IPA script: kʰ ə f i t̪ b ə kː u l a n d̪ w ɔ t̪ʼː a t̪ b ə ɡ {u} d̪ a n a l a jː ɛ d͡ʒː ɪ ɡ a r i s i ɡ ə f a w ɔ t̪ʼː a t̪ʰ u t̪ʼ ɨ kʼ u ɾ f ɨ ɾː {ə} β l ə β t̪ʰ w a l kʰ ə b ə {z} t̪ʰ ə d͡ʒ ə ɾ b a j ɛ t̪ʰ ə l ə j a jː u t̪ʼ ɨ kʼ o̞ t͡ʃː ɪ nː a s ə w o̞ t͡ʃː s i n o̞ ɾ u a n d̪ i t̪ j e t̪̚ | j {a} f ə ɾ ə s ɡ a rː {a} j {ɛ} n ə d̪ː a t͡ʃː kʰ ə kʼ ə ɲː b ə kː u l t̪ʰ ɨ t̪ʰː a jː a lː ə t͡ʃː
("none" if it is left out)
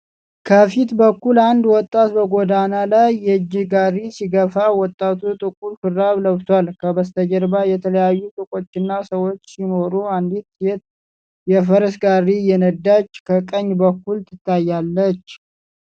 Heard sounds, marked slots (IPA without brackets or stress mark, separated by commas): o, a, s, ɛ, i, ɛ